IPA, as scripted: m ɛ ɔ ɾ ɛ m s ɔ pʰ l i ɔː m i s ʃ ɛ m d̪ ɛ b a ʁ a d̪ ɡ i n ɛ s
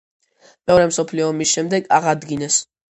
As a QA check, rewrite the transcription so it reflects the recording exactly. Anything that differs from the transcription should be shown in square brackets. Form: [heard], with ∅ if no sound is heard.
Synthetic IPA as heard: m ɛ ɔ ɾ ɛ m s ɔ pʰ l i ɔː m i s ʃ ɛ m d̪ ɛ [ɡ] a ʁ a d̪ ɡ i n ɛ s